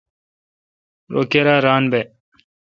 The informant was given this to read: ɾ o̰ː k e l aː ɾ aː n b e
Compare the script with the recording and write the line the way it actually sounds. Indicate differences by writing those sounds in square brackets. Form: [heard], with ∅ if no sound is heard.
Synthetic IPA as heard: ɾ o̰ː k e [ɾ] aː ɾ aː n b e

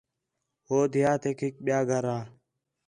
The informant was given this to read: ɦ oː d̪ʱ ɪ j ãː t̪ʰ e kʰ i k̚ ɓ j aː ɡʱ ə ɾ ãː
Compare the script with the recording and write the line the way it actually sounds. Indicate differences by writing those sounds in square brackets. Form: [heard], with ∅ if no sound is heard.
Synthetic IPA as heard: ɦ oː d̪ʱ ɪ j [aː] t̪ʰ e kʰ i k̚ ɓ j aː ɡʱ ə ɾ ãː

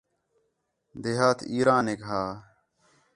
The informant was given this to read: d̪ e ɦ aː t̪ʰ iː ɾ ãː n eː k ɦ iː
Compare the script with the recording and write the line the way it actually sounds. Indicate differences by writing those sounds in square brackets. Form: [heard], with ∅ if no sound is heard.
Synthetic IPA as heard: d̪ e ɦ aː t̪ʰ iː ɾ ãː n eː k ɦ [aː]

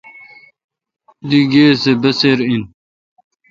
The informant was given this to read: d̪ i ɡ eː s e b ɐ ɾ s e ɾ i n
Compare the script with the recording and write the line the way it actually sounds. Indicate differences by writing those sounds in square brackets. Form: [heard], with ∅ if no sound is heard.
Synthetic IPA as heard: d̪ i ɡ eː s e b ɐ [∅] s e ɾ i n

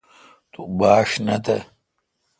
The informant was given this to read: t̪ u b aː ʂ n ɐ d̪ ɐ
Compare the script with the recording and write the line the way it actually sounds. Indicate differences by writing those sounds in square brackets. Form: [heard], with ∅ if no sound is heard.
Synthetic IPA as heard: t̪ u b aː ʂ n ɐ [t̪] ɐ

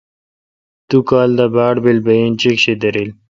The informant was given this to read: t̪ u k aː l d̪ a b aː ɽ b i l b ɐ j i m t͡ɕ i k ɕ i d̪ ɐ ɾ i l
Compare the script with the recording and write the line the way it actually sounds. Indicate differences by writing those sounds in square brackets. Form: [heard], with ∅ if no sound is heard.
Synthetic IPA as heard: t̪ u k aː l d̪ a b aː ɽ b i l b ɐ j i [n] t͡ɕ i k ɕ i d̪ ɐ ɾ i l

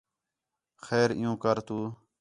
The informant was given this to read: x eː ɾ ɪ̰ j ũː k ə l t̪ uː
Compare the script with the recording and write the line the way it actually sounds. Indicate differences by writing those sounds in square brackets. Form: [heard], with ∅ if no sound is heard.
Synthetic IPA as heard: x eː ɾ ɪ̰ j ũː k ə [ɾ] t̪ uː

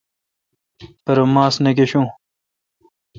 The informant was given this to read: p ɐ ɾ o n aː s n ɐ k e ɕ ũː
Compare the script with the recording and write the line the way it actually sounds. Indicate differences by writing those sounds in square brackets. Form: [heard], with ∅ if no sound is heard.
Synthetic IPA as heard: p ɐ ɾ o [m] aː s n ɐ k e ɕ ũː

